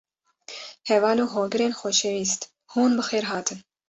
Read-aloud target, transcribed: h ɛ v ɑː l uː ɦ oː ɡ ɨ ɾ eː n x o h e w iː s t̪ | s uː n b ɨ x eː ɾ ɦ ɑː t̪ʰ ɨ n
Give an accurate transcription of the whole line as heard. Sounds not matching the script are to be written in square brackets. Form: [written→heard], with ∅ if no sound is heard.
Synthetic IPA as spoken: h ɛ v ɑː l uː ɦ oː ɡ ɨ ɾ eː n x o [h→ʃ] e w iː s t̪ | [s→h] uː n b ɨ x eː ɾ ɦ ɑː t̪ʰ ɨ n